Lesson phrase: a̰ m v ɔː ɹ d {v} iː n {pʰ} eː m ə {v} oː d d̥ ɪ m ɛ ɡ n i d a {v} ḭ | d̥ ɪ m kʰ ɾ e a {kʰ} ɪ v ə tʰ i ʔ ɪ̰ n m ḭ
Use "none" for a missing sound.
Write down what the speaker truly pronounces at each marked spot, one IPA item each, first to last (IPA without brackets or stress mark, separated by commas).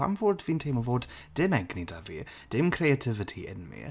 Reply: v, tʰ, v, v, tʰ